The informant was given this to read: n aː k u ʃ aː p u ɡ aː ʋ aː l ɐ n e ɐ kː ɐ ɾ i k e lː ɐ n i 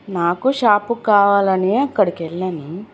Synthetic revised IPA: n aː k u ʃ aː p u k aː ʋ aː l ɐ n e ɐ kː ɐ ɽ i k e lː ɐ n i